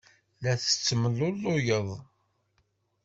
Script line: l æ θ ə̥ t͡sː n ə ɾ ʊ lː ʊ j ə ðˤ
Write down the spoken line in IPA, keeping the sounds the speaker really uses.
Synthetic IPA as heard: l æ θ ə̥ t͡sː m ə l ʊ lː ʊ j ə ðˤ